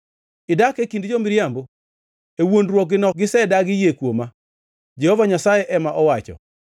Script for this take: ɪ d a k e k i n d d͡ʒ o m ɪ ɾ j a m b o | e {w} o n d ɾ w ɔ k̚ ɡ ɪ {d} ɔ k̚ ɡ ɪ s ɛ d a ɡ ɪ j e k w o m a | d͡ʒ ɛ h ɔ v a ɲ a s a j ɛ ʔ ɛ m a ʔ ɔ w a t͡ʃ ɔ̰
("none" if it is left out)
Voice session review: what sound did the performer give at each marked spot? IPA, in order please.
w, n

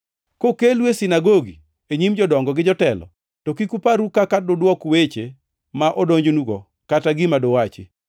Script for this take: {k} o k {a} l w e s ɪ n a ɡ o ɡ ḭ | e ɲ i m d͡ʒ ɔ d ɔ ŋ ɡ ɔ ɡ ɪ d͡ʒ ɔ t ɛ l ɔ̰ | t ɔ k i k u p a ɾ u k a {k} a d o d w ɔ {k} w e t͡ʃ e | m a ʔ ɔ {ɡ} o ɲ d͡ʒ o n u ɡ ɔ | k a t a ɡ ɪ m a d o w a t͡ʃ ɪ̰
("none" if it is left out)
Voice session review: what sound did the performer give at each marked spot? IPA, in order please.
k, e, k, k, d

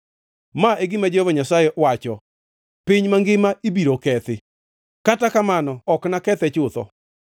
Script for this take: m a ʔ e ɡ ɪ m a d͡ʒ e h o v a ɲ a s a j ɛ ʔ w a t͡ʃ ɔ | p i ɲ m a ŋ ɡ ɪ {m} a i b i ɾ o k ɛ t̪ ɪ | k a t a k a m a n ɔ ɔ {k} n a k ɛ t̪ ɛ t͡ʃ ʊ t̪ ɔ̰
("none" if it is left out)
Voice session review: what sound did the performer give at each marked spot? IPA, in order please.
m, k

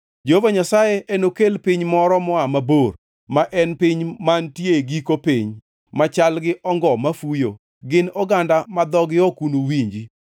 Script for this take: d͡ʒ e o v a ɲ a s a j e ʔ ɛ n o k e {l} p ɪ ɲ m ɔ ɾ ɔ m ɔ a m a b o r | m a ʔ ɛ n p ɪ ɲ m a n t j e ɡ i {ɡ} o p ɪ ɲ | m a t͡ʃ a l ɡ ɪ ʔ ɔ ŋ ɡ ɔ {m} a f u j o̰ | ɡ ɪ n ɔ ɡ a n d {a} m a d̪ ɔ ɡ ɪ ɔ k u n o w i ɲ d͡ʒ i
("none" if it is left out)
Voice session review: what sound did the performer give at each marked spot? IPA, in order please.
l, k, m, a

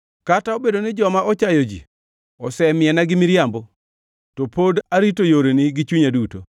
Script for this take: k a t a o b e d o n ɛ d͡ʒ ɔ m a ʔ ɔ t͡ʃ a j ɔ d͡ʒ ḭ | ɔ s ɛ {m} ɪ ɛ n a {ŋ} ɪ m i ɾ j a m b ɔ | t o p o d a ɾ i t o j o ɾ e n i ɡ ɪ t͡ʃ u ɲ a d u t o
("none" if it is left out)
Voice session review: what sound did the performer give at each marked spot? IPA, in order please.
m, ɡ

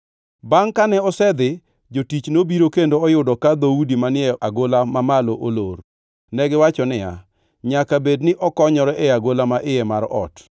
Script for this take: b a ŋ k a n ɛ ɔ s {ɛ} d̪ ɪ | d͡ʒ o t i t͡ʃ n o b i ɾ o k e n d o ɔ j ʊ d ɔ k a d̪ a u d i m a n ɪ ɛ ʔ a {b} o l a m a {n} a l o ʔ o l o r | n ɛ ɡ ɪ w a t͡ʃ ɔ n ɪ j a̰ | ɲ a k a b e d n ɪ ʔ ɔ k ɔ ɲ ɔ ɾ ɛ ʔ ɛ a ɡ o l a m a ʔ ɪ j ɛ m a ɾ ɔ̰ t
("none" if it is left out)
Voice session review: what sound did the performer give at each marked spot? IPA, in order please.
ɛ, ɡ, m

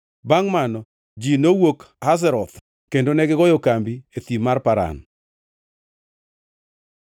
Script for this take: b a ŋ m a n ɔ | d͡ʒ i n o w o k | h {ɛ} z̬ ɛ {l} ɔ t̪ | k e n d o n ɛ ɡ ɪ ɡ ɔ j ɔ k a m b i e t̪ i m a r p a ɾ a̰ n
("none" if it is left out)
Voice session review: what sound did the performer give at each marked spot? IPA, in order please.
a, ɾ

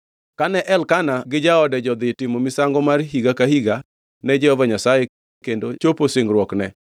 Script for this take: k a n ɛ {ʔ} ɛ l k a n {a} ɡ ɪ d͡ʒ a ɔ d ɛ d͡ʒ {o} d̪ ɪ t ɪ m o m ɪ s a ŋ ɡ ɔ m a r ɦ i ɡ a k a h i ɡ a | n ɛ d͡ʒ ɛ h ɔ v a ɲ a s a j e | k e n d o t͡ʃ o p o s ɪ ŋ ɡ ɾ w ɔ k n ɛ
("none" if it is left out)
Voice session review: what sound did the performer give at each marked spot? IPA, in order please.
ʔ, a, ɔ

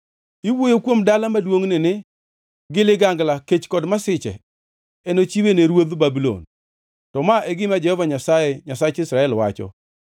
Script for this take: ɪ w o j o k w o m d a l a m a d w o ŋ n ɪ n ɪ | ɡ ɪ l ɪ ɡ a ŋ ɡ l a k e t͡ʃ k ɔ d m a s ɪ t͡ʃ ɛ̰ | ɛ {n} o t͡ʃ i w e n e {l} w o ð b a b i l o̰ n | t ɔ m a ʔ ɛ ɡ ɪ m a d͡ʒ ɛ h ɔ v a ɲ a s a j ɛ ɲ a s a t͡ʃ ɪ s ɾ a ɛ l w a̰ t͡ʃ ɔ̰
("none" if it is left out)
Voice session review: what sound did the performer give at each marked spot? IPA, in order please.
n, ɾ

